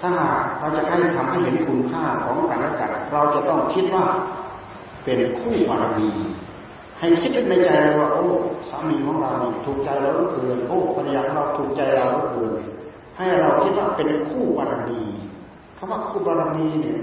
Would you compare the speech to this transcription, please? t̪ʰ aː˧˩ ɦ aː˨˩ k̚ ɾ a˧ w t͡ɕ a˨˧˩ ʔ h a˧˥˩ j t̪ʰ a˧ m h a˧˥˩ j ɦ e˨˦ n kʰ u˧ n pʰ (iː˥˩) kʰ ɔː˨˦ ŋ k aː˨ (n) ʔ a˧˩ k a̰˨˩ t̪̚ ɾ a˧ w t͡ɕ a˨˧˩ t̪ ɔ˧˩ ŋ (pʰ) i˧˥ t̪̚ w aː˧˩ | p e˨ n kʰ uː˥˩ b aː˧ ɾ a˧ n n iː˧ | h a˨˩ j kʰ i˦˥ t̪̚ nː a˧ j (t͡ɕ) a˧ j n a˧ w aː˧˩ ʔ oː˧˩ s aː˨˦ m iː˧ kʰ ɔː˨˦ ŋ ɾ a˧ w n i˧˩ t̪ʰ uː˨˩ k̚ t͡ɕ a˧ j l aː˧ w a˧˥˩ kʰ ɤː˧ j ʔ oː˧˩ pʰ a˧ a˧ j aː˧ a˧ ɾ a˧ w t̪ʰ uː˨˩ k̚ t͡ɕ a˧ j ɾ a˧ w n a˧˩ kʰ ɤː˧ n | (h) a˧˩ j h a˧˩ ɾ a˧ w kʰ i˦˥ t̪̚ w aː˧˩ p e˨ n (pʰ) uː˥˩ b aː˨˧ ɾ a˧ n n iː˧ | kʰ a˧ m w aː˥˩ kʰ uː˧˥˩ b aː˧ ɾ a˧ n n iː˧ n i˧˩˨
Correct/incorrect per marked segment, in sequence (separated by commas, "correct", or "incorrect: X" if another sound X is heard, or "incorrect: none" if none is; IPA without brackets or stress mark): incorrect: aː˥˩, correct, incorrect: kʰ, correct, correct, incorrect: kʰ